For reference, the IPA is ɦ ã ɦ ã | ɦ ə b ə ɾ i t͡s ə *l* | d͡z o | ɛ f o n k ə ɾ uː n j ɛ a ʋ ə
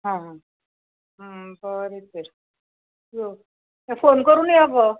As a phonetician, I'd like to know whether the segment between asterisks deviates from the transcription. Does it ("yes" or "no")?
yes